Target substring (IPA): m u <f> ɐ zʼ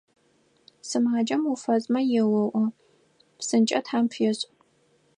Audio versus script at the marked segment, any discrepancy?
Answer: no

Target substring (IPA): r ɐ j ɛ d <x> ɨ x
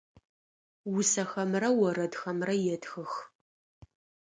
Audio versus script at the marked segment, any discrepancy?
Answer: no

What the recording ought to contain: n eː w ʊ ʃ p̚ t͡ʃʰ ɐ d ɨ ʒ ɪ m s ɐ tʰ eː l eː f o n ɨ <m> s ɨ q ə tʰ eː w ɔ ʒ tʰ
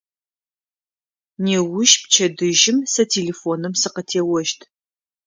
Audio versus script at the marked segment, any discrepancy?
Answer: no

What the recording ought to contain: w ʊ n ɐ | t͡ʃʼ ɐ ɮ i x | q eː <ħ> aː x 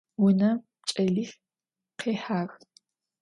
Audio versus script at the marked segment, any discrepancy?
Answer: no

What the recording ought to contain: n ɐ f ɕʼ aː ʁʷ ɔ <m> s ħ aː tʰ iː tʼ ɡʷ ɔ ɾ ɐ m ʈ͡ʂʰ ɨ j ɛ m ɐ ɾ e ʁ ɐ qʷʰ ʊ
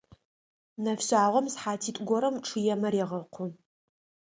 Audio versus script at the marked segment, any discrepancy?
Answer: no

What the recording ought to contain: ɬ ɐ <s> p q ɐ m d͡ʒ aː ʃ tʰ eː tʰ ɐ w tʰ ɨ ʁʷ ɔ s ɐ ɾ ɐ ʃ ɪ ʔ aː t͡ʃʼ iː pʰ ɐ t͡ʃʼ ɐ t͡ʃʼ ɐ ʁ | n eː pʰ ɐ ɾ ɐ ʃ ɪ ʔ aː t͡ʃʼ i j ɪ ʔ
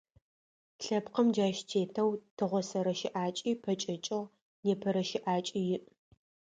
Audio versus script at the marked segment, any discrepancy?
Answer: yes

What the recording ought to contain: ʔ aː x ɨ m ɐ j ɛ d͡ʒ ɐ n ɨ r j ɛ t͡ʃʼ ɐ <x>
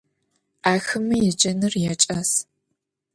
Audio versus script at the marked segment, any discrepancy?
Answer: yes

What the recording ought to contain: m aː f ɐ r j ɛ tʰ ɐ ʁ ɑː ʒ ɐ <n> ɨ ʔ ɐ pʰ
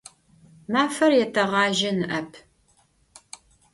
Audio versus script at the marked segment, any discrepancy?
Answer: no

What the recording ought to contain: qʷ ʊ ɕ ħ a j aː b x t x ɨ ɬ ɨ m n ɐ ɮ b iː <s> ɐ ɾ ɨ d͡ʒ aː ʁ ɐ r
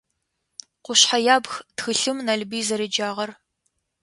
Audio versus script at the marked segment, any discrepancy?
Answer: yes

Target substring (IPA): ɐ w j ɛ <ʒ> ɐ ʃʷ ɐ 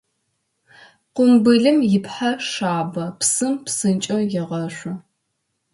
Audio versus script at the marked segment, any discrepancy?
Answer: yes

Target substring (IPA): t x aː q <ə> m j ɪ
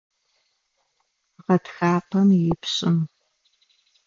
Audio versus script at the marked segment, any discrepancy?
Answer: yes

